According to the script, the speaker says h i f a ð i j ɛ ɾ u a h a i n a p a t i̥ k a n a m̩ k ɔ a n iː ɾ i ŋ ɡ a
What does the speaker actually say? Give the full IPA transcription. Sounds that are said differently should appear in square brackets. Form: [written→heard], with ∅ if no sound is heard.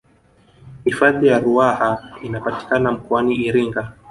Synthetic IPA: h i f a ð i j [ɛ→a] ɾ u a h a i n a p a t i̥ k a n a m̩ k ɔ a n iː ɾ i ŋ ɡ a